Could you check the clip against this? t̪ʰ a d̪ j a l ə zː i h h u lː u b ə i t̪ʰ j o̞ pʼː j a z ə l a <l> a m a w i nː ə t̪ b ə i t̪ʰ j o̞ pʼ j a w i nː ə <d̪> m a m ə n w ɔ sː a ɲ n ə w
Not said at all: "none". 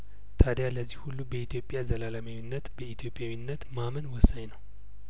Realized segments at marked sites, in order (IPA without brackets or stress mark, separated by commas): l, t̪